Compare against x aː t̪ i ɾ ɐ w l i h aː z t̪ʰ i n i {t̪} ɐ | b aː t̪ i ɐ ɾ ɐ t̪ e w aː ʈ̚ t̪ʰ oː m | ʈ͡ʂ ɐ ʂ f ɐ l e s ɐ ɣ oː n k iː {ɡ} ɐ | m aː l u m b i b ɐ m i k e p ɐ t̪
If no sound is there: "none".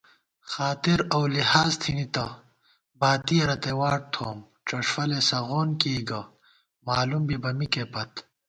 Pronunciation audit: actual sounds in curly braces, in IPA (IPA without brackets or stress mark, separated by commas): t̪, ɡ